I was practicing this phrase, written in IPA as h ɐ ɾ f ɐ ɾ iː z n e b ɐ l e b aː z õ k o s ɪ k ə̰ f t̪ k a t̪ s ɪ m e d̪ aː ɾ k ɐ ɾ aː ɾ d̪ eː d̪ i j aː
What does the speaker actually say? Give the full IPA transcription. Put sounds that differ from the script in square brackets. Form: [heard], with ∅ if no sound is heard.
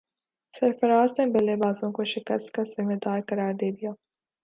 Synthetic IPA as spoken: [s] ɐ ɾ f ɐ ɾ [aː] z n e b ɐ l e b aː z õ k o [ʃ] ɪ k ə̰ [s] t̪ k a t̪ [z] ɪ m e d̪ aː ɾ k ɐ ɾ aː ɾ d̪ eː d̪ i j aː